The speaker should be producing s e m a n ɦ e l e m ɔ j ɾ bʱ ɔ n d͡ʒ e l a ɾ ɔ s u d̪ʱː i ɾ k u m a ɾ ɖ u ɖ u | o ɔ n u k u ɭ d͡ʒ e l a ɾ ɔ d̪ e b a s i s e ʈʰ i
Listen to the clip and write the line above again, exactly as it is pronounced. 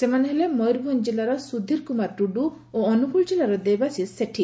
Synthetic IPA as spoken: s e m a n ɦ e l e m ɔ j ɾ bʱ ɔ n d͡ʒ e l a ɾ ɔ s u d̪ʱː i ɾ k u m a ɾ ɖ u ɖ u | o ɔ n u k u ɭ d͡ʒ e l a ɾ ɔ d̪ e b a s i s e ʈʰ i

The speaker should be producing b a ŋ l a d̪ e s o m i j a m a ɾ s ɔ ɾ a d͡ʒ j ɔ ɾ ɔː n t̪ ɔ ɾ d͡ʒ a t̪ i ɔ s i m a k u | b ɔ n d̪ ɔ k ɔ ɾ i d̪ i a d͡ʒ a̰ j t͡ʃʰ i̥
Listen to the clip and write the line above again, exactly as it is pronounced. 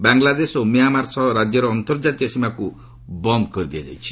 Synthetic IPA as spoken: b a ŋ l a d̪ e s o m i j a m a ɾ s ɔ ɾ a d͡ʒ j ɔ ɾ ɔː n t̪ ɔ ɾ d͡ʒ a t̪ i ɔ s i m a k u | b ɔ n d̪ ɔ k ɔ ɾ i d̪ i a d͡ʒ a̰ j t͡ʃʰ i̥

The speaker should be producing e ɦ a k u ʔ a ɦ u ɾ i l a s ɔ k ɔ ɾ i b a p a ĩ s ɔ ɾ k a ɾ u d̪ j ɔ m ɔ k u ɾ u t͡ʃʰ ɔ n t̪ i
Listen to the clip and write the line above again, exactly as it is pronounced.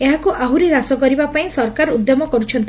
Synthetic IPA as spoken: e ɦ a k u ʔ a ɦ u ɾ i ɾ a s ɔ k ɔ ɾ i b a p a ĩ s ɔ ɾ k a ɾ u d̪ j ɔ m ɔ k ɔ ɾ u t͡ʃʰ ɔ n t̪ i

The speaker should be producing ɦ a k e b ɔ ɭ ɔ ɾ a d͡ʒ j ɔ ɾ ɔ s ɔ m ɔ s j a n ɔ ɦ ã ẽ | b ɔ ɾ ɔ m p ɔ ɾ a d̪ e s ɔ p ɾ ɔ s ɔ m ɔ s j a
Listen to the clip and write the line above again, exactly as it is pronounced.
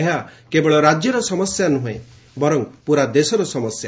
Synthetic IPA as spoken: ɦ a k e b ɔ ɭ ɔ ɾ a d͡ʒ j ɔ ɾ ɔ s ɔ m ɔ s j a n u ɦ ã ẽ | b ɔ ɾ ɔ ŋ p u ɾ a d̪ e s ɔ ɾ ɔ s ɔ m ɔ s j a

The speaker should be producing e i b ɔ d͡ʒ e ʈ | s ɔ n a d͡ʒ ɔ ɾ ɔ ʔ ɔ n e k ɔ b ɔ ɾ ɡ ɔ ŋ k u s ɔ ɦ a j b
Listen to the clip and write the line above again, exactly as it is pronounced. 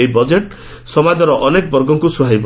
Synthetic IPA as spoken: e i b ɔ d͡ʒ e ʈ | s ɔ m a d͡ʒ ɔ ɾ ɔ ʔ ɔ n e k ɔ b ɔ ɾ ɡ ɔ ŋ k u s u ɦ a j b

